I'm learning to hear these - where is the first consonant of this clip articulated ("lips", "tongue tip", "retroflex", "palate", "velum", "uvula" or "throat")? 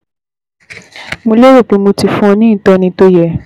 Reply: lips